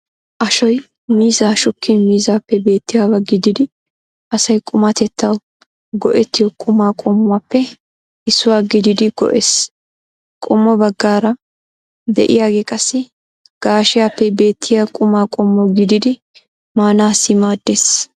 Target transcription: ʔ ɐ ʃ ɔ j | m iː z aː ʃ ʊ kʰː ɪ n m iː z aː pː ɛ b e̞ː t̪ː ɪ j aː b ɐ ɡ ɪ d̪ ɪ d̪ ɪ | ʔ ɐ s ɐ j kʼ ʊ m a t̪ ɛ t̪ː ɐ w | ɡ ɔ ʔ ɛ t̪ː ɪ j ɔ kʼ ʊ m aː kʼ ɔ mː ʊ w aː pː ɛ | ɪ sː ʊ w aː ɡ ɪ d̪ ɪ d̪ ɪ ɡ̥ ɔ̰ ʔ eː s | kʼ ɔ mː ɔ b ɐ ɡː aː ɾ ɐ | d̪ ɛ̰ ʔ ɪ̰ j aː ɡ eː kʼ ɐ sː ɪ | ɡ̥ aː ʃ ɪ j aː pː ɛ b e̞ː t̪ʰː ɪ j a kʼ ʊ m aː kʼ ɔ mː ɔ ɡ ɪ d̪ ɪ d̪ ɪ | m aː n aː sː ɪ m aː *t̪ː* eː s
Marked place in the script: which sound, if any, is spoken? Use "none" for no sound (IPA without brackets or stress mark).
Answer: d̪ː